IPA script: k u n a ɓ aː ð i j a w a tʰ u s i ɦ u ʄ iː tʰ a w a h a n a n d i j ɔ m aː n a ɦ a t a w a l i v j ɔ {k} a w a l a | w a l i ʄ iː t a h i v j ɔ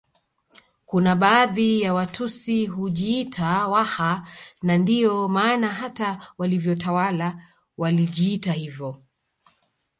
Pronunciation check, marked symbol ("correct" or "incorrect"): incorrect